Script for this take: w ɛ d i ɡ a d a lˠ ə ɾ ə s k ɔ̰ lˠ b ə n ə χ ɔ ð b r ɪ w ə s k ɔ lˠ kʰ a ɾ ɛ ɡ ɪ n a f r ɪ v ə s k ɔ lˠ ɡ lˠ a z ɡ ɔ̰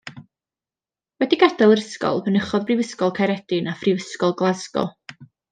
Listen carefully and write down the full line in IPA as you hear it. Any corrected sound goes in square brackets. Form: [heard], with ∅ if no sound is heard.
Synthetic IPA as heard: w ɛ d i ɡ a d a lˠ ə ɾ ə s k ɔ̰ lˠ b ə n ə χ ɔ ð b r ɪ [v] ə s k ɔ lˠ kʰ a ɾ ɛ [d] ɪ n a f r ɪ v ə s k ɔ lˠ ɡ lˠ a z ɡ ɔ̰